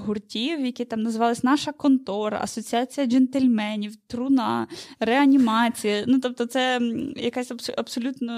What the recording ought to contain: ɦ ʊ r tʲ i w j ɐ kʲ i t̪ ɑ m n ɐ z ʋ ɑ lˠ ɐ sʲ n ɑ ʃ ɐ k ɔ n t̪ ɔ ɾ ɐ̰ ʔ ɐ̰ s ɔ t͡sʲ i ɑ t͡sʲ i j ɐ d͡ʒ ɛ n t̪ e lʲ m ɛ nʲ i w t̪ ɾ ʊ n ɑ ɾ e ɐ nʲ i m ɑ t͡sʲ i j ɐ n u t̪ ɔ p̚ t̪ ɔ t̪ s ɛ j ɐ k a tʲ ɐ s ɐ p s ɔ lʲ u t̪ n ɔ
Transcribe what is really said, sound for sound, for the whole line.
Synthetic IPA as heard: ɦ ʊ r tʲ i w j ɐ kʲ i t̪ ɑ m n ɐ z ʋ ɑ lˠ ɐ sʲ n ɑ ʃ ɐ k ɔ n t̪ ɔ ɾ ɐ̰ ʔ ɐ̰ s ɔ t͡sʲ i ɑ t͡sʲ i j ɐ d͡ʒ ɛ n t̪ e lʲ m ɛ nʲ i w t̪ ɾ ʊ n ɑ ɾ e ɐ nʲ i m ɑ t͡sʲ i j ɐ n u t̪ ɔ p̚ t̪ ɔ t̪ s ɛ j ɐ k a sʲ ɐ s ɐ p s ɔ lʲ u t̪ n ɔ